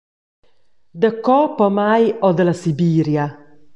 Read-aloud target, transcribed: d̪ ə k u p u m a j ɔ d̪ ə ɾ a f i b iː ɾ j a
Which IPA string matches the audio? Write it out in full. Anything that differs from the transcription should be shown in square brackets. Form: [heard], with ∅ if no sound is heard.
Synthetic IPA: d̪ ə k [ɔ] p [ɔ] m a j ɔ d̪ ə [l] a [s] i b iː ɾ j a